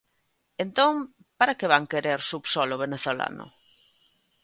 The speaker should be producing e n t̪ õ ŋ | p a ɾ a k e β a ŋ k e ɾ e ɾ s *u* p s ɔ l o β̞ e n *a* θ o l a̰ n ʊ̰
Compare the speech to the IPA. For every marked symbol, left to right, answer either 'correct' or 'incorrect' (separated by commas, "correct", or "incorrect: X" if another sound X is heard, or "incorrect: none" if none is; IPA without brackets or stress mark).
correct, incorrect: e